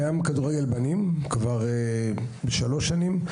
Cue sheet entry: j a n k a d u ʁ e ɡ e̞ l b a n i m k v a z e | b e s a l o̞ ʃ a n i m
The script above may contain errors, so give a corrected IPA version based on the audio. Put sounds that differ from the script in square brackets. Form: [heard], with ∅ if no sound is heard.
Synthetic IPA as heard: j a [m] k a d u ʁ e ɡ e̞ l b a n i m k v a [ʁ] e | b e [ʃ] a l o̞ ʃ a n i m